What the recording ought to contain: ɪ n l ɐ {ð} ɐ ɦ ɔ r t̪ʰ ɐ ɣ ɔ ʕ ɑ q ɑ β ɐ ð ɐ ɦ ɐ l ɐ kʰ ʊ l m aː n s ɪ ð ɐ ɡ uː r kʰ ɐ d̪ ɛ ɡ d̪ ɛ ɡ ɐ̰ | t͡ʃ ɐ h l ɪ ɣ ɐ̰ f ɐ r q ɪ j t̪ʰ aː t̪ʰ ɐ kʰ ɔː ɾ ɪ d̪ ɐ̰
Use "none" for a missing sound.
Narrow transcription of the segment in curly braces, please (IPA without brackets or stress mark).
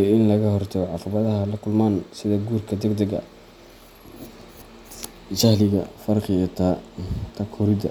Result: ɣ